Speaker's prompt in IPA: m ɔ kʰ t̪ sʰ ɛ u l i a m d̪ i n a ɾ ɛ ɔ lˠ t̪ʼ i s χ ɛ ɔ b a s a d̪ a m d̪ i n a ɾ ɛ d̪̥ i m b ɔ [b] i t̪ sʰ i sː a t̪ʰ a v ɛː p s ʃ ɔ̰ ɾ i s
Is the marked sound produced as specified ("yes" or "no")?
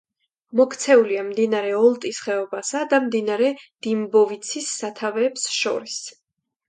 no